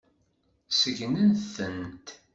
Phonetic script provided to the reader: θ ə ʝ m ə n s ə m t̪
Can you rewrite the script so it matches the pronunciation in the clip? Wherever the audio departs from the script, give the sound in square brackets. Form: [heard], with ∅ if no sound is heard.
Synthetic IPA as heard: [s] ə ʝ [n] ə n [θ] ə [n] t̪